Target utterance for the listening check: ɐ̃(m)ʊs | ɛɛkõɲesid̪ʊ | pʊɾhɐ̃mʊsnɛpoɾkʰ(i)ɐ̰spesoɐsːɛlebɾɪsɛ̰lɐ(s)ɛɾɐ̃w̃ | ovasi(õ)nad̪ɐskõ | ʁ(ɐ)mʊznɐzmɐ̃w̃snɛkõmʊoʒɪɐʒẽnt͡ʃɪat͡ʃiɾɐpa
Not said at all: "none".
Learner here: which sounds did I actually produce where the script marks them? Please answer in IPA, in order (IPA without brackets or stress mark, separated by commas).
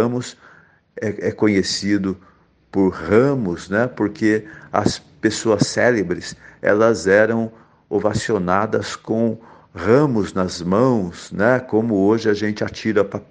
m, e, z, o, ɐ̃